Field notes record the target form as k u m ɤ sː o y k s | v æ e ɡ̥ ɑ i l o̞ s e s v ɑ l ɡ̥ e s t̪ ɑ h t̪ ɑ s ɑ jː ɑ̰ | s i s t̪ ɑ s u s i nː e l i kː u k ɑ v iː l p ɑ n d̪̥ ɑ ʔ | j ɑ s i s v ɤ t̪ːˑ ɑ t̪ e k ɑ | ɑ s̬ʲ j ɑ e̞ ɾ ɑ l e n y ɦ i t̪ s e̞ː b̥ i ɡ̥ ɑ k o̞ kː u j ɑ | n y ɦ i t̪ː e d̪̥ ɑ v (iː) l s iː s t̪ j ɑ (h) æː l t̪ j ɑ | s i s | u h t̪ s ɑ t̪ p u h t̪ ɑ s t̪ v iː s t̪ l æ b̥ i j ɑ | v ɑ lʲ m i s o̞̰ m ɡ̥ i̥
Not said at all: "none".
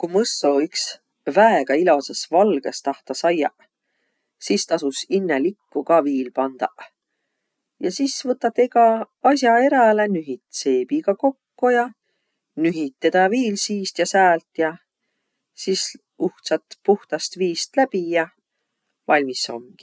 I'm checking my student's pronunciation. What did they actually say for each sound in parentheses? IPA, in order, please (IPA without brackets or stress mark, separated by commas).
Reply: iː, s